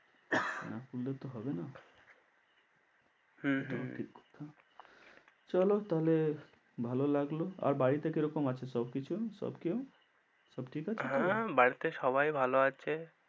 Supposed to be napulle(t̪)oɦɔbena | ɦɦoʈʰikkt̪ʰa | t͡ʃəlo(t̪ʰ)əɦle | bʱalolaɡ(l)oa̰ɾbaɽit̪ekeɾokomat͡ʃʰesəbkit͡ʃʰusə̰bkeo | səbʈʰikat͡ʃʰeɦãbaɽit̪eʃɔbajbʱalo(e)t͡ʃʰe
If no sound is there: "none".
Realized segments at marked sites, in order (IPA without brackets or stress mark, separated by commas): t̪, t̪, l, a